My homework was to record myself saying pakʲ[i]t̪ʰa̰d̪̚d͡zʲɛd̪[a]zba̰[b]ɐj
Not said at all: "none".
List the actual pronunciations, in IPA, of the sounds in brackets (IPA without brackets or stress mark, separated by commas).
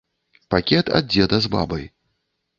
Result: ɛ, ɐ, b